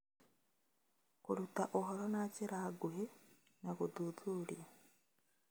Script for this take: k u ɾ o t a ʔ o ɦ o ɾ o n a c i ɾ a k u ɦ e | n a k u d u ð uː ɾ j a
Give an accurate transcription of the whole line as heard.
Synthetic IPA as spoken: k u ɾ u t a ʔ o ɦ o ɾ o n a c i ɾ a ɡ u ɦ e | n a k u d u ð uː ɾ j a